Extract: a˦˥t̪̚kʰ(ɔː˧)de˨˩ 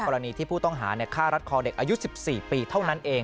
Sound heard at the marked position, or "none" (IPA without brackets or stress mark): ɔː˧